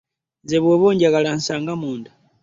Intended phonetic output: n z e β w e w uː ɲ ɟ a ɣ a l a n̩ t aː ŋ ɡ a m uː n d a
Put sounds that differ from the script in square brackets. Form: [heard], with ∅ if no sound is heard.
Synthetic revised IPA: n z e β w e [β] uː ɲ ɟ a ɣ a l a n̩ [s] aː ŋ ɡ a m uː n d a